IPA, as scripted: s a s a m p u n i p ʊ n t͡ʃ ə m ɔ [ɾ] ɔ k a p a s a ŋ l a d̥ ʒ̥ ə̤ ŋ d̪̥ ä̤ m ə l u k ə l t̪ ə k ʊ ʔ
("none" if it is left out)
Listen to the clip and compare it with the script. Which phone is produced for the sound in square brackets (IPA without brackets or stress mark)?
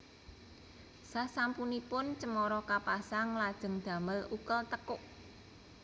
ɾ